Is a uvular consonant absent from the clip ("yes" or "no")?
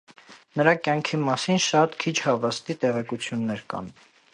no